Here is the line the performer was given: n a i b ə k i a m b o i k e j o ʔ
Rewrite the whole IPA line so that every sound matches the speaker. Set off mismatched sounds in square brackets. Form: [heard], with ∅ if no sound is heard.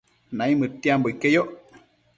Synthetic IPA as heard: n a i [m] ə [t] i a m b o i k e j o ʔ